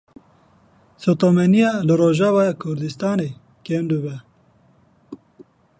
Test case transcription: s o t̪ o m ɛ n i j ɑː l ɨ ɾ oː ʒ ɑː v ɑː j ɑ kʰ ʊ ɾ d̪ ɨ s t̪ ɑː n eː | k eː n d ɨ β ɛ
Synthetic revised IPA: s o t̪ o m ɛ n i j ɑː l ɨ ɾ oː ʒ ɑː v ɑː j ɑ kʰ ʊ ɾ d̪ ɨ s t̪ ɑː n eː | k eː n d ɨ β ɛ